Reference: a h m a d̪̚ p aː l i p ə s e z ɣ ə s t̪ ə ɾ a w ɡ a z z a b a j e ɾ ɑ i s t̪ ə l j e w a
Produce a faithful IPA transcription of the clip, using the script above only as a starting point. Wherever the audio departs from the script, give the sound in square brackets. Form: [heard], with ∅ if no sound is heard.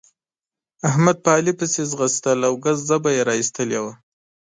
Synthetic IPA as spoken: a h m a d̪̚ p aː l i p ə s e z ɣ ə s t̪ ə [l] a w ɡ a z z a b a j e ɾ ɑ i s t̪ ə l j e w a